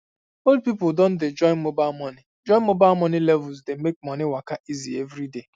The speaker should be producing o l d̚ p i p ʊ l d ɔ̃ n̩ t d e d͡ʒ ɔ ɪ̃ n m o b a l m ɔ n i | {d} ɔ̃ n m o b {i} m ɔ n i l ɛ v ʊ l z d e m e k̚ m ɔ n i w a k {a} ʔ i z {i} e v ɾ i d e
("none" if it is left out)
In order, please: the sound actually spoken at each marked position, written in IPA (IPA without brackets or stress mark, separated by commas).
d͡ʒ, a, a, i